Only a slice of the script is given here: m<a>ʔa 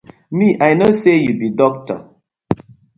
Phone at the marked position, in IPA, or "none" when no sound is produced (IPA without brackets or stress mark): i